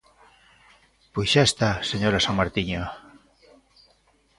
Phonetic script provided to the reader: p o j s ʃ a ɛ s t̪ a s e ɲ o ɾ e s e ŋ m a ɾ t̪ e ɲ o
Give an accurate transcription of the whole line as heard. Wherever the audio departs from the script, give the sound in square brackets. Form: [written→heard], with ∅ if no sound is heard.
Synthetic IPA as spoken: p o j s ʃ a [ɛ→e] s t̪ a s e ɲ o ɾ [e→a] s [e→a] ŋ m a ɾ t̪ [e→i] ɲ o